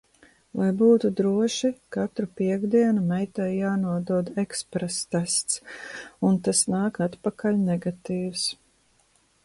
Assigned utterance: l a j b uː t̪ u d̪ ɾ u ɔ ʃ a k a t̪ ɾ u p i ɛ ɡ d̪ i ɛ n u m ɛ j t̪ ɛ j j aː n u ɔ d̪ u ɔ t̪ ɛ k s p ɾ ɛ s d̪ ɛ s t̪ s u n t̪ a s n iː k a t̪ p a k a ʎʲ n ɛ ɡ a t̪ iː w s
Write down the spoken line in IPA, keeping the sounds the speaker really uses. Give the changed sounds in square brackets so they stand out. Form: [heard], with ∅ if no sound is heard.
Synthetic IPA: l a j b uː t̪ u d̪ ɾ u ɔ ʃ [i] k a t̪ ɾ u p i ɛ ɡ d̪ i ɛ n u m ɛ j t̪ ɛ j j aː n u ɔ d̪ u ɔ [d̪] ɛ k s p ɾ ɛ s [t̪] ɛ s t̪ s u n t̪ a s n [aː] k a t̪ p a k a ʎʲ n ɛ ɡ a t̪ iː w s